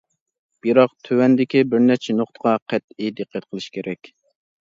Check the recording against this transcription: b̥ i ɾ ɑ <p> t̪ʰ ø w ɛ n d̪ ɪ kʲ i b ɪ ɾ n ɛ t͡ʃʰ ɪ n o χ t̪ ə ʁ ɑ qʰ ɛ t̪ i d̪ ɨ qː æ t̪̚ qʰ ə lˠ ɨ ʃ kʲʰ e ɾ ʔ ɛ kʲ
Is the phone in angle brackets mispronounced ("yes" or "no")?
yes